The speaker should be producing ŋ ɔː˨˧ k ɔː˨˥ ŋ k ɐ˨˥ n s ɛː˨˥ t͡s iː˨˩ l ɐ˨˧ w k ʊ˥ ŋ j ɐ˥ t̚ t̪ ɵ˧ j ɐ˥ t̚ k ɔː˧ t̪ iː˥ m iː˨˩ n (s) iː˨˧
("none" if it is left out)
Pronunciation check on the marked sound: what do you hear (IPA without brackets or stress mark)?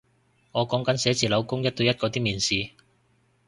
s